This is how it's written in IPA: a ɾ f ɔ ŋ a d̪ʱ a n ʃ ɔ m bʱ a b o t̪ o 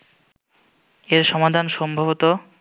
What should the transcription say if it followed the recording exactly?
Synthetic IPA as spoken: e ɾ ʃ ɔ m a d̪ʱ a n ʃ ɔ m bʱ a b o t̪ o